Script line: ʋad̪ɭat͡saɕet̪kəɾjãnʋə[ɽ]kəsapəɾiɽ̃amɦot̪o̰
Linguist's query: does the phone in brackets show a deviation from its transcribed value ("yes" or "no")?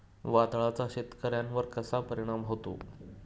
yes